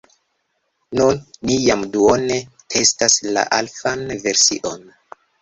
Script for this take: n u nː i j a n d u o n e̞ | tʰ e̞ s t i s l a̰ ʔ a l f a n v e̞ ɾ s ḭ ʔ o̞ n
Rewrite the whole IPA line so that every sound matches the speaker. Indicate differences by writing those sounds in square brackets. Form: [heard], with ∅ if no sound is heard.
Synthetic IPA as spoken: n u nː i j a [m] d u o n e̞ | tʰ e̞ s t [a] s l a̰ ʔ a l f a n v e̞ ɾ s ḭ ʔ o̞ n